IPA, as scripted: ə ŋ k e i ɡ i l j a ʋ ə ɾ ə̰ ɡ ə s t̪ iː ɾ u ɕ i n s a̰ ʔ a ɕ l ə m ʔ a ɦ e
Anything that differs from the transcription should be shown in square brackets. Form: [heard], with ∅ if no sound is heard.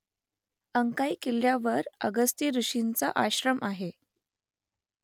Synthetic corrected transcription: ə ŋ k [a] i [k] i l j a ʋ ə ɾ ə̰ ɡ ə s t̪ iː ɾ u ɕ i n [t͡s] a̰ ʔ a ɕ [ɾ] ə m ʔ a ɦ e